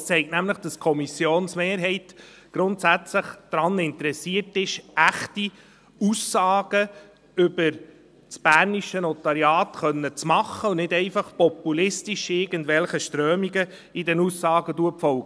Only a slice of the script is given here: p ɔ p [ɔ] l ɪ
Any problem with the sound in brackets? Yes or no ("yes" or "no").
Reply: yes